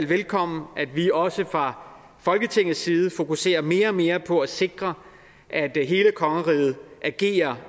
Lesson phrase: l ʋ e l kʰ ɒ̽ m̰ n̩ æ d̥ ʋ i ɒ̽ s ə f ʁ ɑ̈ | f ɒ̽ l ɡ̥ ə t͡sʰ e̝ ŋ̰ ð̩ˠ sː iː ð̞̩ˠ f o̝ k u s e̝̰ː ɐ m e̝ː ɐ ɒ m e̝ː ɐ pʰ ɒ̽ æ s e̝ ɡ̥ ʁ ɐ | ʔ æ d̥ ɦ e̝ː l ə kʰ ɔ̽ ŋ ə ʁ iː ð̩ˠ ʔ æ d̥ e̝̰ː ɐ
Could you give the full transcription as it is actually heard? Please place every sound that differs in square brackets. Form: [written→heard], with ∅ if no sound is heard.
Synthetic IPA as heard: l ʋ e l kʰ ɒ̽ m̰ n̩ æ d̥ ʋ i ɒ̽ s ə f ʁ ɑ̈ | f ɒ̽ l ɡ̥ ə t͡sʰ e̝ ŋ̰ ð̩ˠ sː iː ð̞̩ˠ f o̝ k u s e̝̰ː ɐ m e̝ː ɐ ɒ m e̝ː ɐ pʰ ɒ̽ æ s e̝ ɡ̥ ʁ ɐ | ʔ æ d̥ ɦ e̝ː l ə kʰ [ɔ̽→ɒ̽] ŋ ə ʁ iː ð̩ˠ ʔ æ [d̥→ɡ̥] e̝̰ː ɐ